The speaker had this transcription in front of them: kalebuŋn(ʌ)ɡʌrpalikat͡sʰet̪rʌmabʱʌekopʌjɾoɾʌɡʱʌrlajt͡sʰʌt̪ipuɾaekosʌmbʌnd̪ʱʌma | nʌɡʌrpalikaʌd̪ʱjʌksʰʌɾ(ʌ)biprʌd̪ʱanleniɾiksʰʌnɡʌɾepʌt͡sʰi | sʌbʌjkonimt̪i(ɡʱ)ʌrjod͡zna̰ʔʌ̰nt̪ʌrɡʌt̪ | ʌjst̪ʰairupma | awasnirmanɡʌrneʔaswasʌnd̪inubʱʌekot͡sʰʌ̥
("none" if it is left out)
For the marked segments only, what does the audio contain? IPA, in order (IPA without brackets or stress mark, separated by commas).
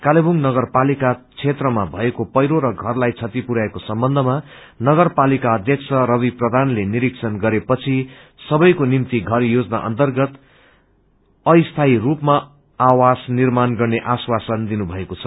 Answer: ʌ, ʌ, ɡʱ